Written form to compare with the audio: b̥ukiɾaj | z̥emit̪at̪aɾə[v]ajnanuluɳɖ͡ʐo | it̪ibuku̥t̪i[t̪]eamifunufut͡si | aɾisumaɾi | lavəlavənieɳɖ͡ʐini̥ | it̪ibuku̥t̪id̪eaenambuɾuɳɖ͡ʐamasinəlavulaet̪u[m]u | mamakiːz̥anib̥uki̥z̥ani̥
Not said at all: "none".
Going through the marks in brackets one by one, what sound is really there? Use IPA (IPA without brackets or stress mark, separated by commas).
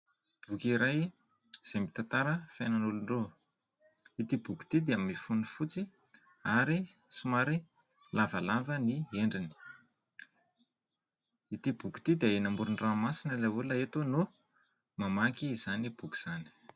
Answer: f, d̪, n